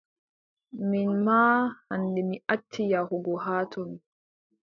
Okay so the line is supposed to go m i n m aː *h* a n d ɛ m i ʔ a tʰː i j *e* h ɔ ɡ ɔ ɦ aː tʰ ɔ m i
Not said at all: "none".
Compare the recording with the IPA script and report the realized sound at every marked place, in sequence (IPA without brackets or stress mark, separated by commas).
h, a